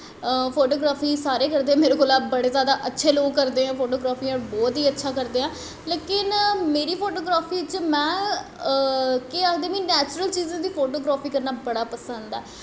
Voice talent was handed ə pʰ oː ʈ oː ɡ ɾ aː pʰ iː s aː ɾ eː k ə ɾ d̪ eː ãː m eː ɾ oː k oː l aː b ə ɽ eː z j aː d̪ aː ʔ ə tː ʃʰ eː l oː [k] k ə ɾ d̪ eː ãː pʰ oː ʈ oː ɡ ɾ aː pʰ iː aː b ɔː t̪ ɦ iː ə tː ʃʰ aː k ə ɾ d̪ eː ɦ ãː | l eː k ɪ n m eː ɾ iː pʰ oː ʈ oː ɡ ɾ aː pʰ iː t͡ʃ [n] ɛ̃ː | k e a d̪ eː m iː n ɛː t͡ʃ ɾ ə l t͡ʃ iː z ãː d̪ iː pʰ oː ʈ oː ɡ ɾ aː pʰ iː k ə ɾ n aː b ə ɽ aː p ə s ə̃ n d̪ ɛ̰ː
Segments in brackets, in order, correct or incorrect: incorrect: ɡ, incorrect: m

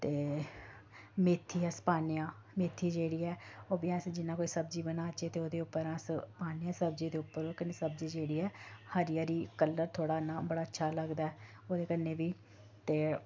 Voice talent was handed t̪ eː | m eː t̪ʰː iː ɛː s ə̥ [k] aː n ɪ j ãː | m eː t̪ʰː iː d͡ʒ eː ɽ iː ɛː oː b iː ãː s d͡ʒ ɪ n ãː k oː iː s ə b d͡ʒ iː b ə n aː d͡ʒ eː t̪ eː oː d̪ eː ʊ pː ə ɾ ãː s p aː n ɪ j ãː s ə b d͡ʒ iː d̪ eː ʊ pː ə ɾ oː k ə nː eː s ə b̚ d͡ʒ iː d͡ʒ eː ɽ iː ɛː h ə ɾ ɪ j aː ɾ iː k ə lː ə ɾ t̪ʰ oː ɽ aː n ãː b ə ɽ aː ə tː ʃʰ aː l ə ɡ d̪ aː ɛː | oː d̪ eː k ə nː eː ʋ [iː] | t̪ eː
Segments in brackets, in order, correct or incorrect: incorrect: p, correct

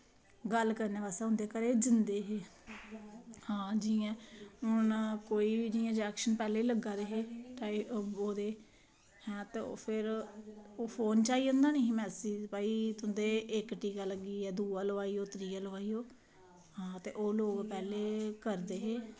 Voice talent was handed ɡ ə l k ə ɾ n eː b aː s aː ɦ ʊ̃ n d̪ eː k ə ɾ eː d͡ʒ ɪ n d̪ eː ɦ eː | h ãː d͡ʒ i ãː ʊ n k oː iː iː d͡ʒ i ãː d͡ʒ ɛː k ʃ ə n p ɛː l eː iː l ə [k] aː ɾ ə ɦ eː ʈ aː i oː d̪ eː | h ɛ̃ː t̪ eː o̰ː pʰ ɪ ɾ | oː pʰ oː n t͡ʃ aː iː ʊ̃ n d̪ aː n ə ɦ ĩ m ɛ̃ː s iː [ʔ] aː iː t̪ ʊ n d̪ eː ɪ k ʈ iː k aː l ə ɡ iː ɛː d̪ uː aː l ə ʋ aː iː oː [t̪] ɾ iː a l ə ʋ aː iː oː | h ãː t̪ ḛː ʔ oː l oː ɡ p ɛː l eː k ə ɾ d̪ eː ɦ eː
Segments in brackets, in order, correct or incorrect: incorrect: ɡ, incorrect: p, correct

